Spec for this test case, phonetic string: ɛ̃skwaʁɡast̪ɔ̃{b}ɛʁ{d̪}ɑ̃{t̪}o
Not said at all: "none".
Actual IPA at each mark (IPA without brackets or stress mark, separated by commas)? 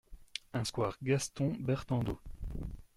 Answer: b, t̪, d̪